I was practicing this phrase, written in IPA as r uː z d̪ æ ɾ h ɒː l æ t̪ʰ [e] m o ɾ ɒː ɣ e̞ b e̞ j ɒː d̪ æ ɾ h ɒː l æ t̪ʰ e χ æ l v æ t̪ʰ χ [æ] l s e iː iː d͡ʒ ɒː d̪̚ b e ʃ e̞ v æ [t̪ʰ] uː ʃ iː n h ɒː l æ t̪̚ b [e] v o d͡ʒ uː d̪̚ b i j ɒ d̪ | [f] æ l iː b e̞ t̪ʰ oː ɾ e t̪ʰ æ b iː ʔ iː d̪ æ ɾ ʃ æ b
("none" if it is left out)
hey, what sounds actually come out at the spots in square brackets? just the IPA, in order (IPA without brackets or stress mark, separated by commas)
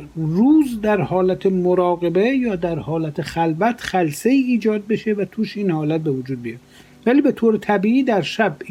e, æ, t̪ʰ, e, v